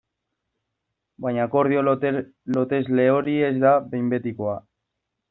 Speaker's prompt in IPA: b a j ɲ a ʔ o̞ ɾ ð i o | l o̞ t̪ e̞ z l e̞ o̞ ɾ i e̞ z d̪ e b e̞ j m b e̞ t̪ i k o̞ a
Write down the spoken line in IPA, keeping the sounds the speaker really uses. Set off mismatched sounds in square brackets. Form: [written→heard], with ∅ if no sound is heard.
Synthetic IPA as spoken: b a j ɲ a [ʔ→k] o̞ ɾ ð i o | l o̞ t̪ e̞ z l e̞ o̞ ɾ i e̞ z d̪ [e→a] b e̞ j m b e̞ t̪ i k o̞ a